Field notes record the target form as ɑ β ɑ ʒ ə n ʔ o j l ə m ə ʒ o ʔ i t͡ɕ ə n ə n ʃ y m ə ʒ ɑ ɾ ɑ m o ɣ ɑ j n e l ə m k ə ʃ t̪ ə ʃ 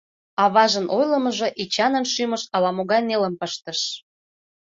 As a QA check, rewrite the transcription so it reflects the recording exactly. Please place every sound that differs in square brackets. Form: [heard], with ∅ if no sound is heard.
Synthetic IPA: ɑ β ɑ ʒ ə n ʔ o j l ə m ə ʒ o ʔ i t͡ɕ [ɑ] n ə n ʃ y m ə [ʃ] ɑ [l] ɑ m o ɣ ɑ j n e l ə m [p] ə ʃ t̪ ə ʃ